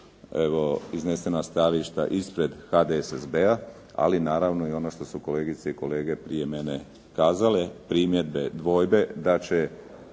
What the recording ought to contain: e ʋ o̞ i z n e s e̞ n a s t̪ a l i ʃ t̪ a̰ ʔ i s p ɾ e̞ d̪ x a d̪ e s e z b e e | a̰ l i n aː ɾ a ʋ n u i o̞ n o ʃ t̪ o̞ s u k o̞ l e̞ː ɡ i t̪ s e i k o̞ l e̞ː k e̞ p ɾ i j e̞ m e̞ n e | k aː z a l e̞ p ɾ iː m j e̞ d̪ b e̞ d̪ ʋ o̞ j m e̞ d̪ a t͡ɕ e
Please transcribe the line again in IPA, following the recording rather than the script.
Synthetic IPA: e ʋ o̞ i z n e s e̞ n a s t̪ a l i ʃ t̪ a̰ ʔ i s p ɾ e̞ d̪ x a d̪ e s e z b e a | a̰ l i n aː ɾ a ʋ n o i o̞ n o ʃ t̪ o̞ s u k o̞ l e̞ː ɡ i t̪ s e i k o̞ l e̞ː ɡ e̞ p ɾ i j e̞ m e̞ n e | k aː z a l e̞ p ɾ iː m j e̞ d̪ b e̞ d̪ ʋ o̞ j b e̞ d̪ a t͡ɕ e